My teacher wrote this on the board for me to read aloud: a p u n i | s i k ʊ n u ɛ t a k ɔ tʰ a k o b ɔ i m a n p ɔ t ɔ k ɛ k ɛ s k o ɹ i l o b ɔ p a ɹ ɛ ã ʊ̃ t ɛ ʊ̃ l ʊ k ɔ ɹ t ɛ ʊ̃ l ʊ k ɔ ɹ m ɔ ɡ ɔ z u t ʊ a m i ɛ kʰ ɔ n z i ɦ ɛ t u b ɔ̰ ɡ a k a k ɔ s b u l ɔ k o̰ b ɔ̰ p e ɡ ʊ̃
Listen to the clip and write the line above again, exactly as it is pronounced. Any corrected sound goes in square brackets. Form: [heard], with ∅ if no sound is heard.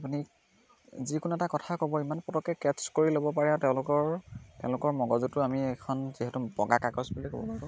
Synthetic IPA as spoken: a p u n i | [z] i k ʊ n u ɛ t a k ɔ tʰ a k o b ɔ i m a n p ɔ t ɔ k ɛ k ɛ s k o ɹ i l o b ɔ p a ɹ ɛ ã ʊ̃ t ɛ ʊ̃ l ʊ k ɔ ɹ t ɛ ʊ̃ l ʊ k ɔ ɹ m ɔ ɡ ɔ z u t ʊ a m i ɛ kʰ ɔ n z i ɦ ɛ t u b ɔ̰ ɡ a k a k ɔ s b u l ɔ k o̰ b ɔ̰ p [a] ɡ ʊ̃